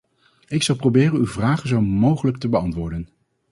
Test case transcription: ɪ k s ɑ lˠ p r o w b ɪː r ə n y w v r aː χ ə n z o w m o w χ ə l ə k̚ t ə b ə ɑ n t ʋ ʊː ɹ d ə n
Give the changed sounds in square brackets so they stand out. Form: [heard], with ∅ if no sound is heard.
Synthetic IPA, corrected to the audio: ɪ k s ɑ lˠ p r o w b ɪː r ə n y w v r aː χ ə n z o w m o w χ ə l ə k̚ t ə b ə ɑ n t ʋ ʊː ɹ d ə n

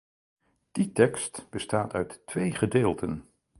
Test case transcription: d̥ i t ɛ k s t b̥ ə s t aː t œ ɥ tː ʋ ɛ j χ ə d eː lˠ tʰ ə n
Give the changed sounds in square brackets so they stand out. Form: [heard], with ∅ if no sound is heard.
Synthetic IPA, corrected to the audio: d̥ i t ɛ k s t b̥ ə s t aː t œ ɥ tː ʋ [e] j χ ə d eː lˠ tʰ ə n

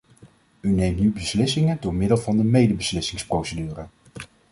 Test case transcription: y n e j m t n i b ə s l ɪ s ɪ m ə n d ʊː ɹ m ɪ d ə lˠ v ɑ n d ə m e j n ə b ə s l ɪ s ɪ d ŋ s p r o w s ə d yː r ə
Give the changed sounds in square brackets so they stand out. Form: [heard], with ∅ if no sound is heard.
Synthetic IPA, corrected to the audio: y n e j m t n [y] b ə s l ɪ s ɪ [ŋ] ə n d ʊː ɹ m ɪ d ə lˠ v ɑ n d ə m e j [d] ə b ə s l ɪ s ɪ [∅] ŋ s p r o w s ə d yː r ə

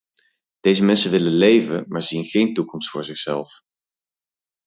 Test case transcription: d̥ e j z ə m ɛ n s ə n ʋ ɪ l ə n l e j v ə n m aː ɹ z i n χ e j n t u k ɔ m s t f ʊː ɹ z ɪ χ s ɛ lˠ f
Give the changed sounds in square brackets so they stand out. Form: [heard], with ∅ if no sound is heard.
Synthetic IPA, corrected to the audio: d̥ e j z ə m ɛ n s ə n ʋ ɪ l ə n l e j v ə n m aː ɹ z i n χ e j n t u k ɔ m s t f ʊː ɹ z ɪ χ s ɛ lˠ f

